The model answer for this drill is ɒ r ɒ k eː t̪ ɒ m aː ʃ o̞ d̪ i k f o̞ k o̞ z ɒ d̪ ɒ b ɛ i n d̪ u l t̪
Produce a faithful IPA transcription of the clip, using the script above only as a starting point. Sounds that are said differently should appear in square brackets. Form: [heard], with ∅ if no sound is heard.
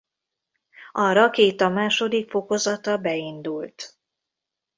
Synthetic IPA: ɒ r ɒ k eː t̪ ɒ m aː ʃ o̞ d̪ i k f o̞ k o̞ z ɒ [t̪] ɒ b ɛ i n d̪ u l t̪